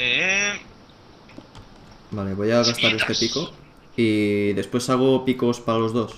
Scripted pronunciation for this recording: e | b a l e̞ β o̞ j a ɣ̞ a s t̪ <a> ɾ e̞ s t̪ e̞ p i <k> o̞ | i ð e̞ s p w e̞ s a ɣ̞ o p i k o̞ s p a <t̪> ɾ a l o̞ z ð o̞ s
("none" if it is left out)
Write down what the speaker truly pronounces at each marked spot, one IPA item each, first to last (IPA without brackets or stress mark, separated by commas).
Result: a, k, none